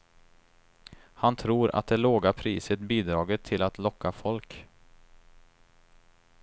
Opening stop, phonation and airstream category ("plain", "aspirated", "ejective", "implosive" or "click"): aspirated